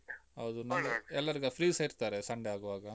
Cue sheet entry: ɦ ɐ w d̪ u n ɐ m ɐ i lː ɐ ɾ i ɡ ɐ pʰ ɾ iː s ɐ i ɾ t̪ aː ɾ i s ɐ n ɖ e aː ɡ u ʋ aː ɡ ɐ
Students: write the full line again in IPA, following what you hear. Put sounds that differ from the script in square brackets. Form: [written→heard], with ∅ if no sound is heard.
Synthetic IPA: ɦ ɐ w d̪ u n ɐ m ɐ [i→ɛ] lː ɐ ɾ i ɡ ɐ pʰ ɾ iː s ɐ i ɾ t̪ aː ɾ [i→e] s ɐ [n→ɳ] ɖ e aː ɡ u ʋ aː ɡ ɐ

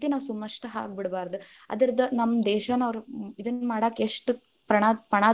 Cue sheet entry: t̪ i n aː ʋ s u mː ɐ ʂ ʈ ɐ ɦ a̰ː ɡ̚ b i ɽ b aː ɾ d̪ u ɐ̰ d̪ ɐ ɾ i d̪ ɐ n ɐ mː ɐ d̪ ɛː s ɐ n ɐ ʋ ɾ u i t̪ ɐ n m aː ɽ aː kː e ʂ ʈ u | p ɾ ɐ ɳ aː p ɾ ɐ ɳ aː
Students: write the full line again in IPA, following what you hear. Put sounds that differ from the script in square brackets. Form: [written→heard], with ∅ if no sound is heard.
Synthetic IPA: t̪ i n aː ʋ s u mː ɐ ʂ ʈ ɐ ɦ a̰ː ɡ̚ b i ɽ b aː ɾ d̪ u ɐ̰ d̪ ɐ ɾ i d̪ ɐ n ɐ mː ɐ d̪ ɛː [s→ʃ] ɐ n ɐ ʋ ɾ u i [t̪→d̪] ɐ n m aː ɽ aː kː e ʂ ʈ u | p ɾ ɐ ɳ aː p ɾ ɐ ɳ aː

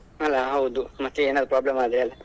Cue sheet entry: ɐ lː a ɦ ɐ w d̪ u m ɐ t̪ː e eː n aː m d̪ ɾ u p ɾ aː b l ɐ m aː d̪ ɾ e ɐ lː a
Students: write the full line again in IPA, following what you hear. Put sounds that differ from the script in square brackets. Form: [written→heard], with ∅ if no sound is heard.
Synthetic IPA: ɐ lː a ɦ ɐ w d̪ u m ɐ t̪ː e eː n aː [m→∅] d̪ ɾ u p ɾ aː b l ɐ m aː d̪ ɾ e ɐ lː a

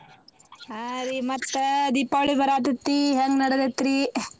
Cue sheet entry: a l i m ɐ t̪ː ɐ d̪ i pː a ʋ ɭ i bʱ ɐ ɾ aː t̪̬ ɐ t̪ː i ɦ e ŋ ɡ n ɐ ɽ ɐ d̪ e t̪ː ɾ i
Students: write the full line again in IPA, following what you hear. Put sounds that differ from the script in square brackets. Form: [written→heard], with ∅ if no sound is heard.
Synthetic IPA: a [l→ɾ] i m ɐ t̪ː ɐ d̪ i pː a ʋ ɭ i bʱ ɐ ɾ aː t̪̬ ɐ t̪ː i ɦ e ŋ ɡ n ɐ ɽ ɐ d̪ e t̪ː ɾ i

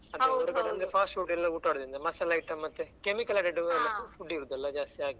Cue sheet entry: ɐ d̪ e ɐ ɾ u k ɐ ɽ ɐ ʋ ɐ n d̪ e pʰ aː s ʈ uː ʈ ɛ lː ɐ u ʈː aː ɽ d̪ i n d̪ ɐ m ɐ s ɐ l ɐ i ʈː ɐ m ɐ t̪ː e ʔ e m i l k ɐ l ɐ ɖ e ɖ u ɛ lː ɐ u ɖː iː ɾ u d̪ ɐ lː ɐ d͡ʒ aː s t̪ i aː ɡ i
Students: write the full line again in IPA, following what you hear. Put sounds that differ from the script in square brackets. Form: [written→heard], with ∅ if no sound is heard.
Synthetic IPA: ɐ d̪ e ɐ ɾ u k ɐ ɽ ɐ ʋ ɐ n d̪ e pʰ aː s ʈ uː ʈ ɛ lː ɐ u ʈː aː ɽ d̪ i n d̪ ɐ m ɐ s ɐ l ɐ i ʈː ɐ m ɐ t̪ː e [ʔ→k] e m i [l→∅] k ɐ l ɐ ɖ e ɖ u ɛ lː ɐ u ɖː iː ɾ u d̪ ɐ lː ɐ d͡ʒ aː s t̪ i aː ɡ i

